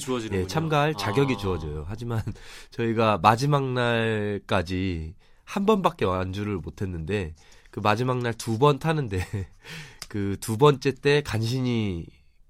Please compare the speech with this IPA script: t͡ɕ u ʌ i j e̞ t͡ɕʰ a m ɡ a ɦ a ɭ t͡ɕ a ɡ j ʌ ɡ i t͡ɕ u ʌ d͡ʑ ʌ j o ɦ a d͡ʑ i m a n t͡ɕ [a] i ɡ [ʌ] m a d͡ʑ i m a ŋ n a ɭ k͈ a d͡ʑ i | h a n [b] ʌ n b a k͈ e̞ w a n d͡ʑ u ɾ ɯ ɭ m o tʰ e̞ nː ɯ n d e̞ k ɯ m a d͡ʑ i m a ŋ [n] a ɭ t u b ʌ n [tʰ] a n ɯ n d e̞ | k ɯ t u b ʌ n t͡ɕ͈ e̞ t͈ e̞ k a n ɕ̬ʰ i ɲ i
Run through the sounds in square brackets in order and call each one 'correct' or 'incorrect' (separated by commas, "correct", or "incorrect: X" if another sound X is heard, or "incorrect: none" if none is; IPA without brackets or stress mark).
incorrect: ʌ, incorrect: a, correct, correct, correct